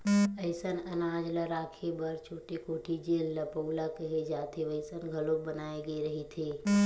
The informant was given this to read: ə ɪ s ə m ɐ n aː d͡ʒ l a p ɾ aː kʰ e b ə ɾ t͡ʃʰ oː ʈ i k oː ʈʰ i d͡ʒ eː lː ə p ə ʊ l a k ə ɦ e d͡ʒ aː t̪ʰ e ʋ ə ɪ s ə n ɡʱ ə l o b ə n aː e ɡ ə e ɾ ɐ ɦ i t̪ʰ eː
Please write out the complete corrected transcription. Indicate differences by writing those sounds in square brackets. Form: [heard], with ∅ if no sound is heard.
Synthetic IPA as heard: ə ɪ s ə [n] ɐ n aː d͡ʒ l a [∅] ɾ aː kʰ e b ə ɾ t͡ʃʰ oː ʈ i k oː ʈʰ i d͡ʒ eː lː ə p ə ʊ l a k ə ɦ e d͡ʒ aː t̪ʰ e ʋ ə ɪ s ə n ɡʱ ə l o b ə n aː e ɡ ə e ɾ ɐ ɦ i t̪ʰ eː